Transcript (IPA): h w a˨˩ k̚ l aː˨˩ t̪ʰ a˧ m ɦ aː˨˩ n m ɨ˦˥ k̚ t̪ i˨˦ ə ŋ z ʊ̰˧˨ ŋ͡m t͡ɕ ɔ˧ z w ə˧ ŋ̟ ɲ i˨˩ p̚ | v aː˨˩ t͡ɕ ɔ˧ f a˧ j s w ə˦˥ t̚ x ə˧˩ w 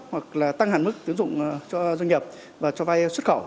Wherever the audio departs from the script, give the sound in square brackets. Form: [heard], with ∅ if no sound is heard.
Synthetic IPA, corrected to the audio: h w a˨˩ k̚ l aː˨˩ [t̪] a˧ [ŋ] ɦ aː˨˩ n m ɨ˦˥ k̚ t̪ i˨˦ ə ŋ z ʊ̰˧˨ ŋ͡m t͡ɕ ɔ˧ z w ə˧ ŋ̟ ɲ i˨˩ p̚ | v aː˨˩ t͡ɕ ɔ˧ [v] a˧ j s w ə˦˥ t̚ x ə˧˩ w

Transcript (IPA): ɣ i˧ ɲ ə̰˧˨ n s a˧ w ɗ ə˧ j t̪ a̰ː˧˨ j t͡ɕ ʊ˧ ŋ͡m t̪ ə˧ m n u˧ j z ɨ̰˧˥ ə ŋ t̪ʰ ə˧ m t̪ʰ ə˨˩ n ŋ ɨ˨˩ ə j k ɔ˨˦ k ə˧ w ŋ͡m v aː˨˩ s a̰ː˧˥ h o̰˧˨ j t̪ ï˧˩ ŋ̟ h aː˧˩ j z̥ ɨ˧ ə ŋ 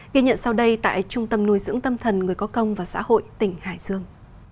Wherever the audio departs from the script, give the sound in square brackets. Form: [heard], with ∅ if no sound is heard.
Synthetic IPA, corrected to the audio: ɣ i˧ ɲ ə̰˧˨ n s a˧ w ɗ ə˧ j t̪ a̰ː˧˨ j t͡ɕ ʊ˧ ŋ͡m t̪ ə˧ m n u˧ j z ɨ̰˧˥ ə ŋ [t̪] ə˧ m t̪ʰ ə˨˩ n ŋ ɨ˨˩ ə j k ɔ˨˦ k ə˧ w ŋ͡m v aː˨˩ s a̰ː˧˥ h o̰˧˨ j t̪ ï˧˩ ŋ̟ h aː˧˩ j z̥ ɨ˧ ə ŋ

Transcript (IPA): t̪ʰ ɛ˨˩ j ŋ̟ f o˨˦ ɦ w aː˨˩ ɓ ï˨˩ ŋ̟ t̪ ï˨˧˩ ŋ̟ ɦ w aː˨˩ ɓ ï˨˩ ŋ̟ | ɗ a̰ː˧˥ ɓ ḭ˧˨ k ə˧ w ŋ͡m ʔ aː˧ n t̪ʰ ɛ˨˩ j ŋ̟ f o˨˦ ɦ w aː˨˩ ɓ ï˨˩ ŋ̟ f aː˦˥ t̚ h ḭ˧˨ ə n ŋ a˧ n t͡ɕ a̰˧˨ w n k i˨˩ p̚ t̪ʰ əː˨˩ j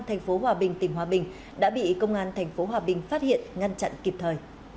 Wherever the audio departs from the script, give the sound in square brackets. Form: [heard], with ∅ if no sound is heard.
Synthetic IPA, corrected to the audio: t̪ʰ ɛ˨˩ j ŋ̟ f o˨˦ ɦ w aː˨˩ ɓ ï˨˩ ŋ̟ t̪ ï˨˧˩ ŋ̟ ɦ w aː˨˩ ɓ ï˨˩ ŋ̟ | ɗ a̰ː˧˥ ɓ ḭ˧˨ k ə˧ w ŋ͡m ʔ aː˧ n t̪ʰ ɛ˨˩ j ŋ̟ f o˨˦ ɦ w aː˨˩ ɓ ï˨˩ ŋ̟ f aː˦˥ t̚ h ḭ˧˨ ə n ŋ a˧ n t͡ɕ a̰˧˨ [∅] n k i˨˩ p̚ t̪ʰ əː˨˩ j

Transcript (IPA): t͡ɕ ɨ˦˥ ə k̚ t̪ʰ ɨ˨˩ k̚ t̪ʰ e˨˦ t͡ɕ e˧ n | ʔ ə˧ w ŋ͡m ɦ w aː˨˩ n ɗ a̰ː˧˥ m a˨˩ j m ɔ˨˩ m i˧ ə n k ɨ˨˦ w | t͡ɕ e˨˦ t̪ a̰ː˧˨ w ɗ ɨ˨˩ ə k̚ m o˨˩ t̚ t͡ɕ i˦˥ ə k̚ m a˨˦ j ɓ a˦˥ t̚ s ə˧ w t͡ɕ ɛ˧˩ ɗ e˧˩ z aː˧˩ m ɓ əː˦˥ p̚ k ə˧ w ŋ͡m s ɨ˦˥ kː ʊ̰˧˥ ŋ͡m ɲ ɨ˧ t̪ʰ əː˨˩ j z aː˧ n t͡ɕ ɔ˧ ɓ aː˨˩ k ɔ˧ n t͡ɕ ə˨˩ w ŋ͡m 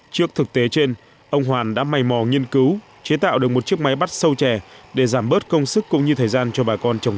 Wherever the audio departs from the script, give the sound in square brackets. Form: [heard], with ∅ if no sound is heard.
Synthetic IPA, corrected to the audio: t͡ɕ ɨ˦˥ ə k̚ t̪ʰ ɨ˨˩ k̚ [t̪] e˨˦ t͡ɕ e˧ n | ʔ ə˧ w ŋ͡m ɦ w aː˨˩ n ɗ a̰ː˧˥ m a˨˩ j m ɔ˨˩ [ŋ] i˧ ə n k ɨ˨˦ w | t͡ɕ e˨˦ t̪ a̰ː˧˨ w ɗ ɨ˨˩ ə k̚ m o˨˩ t̚ t͡ɕ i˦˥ ə k̚ m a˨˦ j ɓ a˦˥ t̚ s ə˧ w t͡ɕ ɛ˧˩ ɗ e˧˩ z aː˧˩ m ɓ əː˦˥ [t̚] k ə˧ w ŋ͡m s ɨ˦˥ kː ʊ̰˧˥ ŋ͡m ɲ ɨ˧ t̪ʰ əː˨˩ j z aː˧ n t͡ɕ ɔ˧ ɓ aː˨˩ k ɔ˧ n t͡ɕ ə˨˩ w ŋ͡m

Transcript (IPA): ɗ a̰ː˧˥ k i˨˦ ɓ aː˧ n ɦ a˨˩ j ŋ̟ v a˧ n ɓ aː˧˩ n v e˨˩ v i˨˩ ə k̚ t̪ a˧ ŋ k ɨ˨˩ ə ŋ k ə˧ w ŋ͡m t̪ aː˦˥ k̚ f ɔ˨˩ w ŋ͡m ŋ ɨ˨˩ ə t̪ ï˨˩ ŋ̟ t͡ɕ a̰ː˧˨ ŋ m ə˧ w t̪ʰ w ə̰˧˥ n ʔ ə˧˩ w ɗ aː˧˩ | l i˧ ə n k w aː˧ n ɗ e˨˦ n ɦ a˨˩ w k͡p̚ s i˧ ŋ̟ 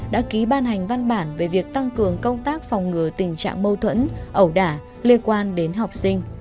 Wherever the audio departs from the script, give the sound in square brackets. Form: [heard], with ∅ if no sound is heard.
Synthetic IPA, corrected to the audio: ɗ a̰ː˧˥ k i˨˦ ɓ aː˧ n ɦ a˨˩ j ŋ̟ v a˧ n ɓ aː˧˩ n v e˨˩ v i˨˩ ə k̚ t̪ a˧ ŋ k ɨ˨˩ ə ŋ k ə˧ w ŋ͡m t̪ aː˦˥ k̚ f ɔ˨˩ w ŋ͡m ŋ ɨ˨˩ ə t̪ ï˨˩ ŋ̟ t͡ɕ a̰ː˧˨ ŋ m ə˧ w t̪ʰ w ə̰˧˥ n ʔ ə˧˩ w ɗ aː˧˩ | l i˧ ə n k w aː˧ n ɗ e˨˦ n ɦ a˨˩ w k͡p̚ s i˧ ŋ̟

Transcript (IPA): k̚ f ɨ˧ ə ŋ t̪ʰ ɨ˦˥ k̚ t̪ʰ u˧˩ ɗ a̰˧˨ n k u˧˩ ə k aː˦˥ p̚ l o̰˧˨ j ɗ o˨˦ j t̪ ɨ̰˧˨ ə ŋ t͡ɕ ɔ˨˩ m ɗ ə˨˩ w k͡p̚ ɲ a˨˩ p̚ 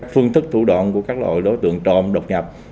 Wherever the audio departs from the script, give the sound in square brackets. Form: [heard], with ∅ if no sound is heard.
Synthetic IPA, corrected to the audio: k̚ f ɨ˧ ə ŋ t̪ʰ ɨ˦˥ k̚ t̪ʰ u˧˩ ɗ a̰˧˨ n k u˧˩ ə k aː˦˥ [k̚] l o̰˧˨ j ɗ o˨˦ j t̪ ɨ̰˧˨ ə ŋ t͡ɕ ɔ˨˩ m ɗ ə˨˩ w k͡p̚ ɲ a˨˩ p̚

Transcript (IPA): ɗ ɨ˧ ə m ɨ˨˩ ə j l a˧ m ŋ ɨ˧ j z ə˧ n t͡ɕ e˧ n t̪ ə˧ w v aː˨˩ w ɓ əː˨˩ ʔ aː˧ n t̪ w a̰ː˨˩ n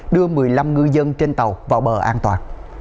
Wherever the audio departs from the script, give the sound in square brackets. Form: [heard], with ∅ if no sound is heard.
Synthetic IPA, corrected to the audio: ɗ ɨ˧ ə m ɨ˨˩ ə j l a˧ m ŋ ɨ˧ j z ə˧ n t͡ɕ e˧ n t̪ [ə˨˩] w v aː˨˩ w ɓ əː˨˩ ʔ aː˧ n t̪ w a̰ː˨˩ n

